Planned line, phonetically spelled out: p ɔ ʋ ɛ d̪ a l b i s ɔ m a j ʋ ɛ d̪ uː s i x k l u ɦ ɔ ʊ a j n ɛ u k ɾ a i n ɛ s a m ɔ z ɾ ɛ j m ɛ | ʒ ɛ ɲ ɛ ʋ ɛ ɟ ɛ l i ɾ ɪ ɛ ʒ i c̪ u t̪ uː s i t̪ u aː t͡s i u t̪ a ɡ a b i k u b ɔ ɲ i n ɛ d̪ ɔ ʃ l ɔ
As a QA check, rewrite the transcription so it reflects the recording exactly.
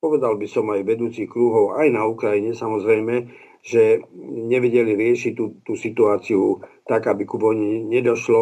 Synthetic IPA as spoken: p ɔ ʋ ɛ d̪ a l b i s ɔ m a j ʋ ɛ d̪ uː t͡s i x k ɾ u ɦ ɔ ʊ a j n a u k ɾ a i ɲ ɛ s a m ɔ z ɾ ɛ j m ɛ | ʒ ɛ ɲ ɛ ʋ ɛ ɟ ɛ l i ɾ ɪ ɛ ʃ i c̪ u t̪ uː s i t̪ u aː t͡s i u t̪ a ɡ a b i k u b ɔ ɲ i ɲ ɛ d̪ ɔ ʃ l ɔ